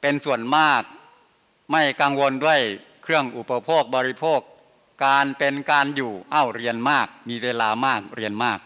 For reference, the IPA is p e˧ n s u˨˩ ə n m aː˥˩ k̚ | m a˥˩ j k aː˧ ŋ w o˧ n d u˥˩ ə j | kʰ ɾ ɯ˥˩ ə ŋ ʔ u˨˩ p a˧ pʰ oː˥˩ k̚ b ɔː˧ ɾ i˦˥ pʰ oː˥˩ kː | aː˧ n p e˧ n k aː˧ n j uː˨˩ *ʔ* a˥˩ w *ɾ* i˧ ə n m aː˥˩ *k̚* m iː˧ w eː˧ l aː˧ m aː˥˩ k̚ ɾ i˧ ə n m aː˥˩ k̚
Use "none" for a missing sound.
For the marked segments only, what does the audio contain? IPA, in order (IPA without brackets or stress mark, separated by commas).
ʔ, ɾ, k̚